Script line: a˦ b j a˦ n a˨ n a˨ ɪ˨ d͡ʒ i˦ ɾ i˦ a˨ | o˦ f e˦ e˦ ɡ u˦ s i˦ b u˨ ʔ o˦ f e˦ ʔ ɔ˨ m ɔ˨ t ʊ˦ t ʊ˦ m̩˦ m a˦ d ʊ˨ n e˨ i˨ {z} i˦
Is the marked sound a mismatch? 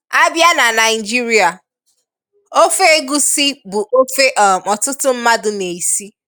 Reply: yes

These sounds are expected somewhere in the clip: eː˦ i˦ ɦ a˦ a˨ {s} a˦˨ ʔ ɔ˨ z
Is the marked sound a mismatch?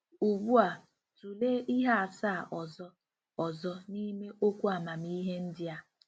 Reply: no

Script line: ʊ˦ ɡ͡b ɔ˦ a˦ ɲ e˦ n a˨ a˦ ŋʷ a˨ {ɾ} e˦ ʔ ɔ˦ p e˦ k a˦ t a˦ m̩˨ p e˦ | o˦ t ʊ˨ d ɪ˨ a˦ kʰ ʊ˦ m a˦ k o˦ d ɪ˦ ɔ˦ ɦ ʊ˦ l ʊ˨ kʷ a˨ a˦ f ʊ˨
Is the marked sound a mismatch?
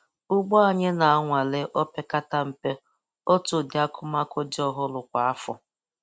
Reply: yes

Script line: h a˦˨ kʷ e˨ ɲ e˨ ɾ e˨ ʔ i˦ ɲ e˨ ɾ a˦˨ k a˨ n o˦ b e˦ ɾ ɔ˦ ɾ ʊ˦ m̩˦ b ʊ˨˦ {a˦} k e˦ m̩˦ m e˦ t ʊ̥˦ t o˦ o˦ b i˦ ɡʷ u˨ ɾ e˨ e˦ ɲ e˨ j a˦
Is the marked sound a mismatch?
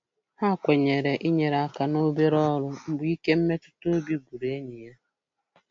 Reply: yes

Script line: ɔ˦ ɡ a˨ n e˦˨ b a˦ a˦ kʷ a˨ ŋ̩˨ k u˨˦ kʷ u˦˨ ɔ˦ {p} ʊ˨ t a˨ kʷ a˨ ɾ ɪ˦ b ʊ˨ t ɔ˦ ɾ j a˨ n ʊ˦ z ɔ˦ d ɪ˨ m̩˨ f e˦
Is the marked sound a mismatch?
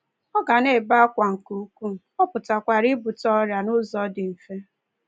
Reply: no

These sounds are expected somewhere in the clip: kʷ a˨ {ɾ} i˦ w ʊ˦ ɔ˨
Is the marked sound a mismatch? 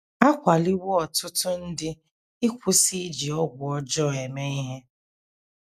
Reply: yes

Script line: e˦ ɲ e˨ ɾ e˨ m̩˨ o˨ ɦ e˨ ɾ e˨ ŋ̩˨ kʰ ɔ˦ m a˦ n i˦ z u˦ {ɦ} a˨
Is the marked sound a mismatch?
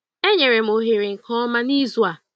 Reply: yes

